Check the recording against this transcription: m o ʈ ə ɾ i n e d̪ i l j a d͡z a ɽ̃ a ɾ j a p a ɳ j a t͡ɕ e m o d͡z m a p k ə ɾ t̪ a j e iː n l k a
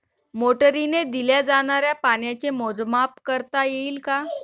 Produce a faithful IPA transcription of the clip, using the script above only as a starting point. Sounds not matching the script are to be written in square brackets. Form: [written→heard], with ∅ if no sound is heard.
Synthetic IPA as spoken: m o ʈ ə ɾ i n e d̪ i l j a d͡z a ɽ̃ a ɾ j a p a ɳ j a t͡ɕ e m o d͡z m a p k ə ɾ t̪ a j e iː [n→∅] l k a

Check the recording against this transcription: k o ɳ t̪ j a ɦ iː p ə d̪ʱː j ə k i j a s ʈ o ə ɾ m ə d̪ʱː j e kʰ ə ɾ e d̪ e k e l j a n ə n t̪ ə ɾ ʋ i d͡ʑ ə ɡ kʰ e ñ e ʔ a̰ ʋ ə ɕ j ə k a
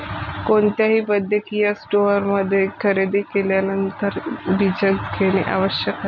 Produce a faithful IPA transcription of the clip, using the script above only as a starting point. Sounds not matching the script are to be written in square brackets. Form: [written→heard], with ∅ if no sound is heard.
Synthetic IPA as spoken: k o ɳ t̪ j a ɦ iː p ə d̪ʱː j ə k i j a s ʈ o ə ɾ m ə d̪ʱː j e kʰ ə ɾ e d̪ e k e l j a n ə n t̪ ə ɾ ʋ i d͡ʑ ə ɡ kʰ e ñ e ʔ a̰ ʋ ə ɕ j ə k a

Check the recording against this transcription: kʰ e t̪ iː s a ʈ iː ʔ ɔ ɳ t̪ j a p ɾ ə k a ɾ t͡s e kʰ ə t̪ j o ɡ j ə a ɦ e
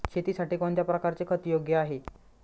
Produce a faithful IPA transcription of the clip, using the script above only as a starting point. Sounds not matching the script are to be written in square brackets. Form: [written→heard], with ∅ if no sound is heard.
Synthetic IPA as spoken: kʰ e t̪ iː s a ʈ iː [ʔ→k] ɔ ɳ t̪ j a p ɾ ə k a ɾ t͡s e kʰ ə t̪ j o ɡ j ə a ɦ e

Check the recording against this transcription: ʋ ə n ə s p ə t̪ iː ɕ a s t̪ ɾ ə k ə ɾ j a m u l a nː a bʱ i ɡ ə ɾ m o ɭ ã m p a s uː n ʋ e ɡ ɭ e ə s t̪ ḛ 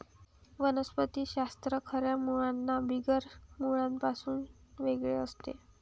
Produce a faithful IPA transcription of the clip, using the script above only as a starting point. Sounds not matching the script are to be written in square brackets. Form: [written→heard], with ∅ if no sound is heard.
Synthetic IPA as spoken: ʋ ə n ə s p ə t̪ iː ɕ a s t̪ ɾ ə [k→kʰ] ə ɾ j a m u [l→ɭ] a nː a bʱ i ɡ ə ɾ m [o→u] ɭ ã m p a s uː n ʋ e ɡ ɭ e ə s t̪ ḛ

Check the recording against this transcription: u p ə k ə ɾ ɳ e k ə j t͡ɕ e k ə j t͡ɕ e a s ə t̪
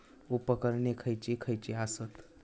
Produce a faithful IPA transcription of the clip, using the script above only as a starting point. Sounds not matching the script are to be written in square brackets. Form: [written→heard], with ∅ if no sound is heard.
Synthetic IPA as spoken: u p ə k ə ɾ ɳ e [k→kʰ] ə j t͡ɕ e [k→kʰ] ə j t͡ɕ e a s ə t̪

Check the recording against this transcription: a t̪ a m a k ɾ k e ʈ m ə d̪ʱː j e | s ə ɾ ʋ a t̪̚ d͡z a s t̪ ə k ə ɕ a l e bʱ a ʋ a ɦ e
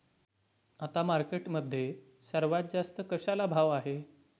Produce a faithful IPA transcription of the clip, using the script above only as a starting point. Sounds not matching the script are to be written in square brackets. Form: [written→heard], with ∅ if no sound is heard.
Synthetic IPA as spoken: a t̪ a m a [k→∅] ɾ k e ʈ m ə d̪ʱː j e | s ə ɾ ʋ a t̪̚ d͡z a s t̪ ə k ə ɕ a l [e→a] bʱ a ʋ a ɦ e

